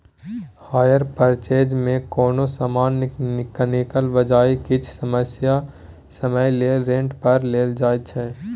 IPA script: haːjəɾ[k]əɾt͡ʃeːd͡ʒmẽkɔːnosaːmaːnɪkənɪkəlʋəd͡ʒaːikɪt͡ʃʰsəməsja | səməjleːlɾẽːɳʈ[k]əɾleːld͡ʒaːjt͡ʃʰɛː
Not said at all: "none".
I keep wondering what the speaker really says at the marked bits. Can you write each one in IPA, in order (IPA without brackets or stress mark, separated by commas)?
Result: p, p